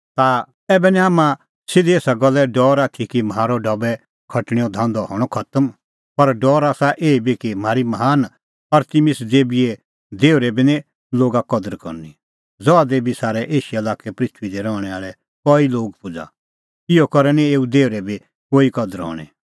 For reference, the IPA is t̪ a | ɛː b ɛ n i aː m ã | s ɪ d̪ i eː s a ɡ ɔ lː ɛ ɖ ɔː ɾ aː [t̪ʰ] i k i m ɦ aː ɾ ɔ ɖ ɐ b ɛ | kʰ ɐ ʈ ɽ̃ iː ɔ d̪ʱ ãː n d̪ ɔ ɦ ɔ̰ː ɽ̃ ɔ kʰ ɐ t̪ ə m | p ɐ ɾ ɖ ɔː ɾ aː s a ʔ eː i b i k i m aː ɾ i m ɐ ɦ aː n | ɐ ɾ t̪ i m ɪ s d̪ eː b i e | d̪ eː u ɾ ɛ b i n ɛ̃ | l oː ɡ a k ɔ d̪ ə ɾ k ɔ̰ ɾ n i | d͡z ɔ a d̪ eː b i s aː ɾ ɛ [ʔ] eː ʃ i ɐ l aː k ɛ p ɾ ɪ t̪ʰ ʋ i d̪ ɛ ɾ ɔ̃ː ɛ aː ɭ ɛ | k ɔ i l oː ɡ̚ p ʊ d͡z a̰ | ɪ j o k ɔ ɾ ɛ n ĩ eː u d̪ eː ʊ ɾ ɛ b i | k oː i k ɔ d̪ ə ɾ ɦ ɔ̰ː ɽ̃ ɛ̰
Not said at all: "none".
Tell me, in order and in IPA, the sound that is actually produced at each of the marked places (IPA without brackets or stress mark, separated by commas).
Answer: t̪ʰ, ʔ